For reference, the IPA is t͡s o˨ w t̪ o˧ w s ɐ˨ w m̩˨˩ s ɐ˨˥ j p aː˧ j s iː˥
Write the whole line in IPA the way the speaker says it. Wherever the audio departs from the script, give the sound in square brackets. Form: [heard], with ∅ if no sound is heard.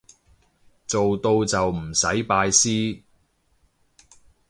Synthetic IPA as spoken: t͡s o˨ w t̪ o˧ w [t͡s] ɐ˨ w m̩˨˩ s ɐ˨˥ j p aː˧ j s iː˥